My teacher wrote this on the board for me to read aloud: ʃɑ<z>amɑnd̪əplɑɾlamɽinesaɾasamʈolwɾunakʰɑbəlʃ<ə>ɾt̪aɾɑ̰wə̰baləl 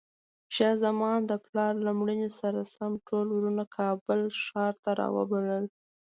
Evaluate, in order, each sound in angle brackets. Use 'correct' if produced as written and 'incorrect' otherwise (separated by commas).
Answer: correct, incorrect